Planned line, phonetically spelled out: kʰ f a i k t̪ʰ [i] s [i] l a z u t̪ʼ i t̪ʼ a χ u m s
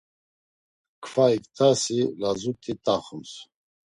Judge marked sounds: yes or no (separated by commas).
no, yes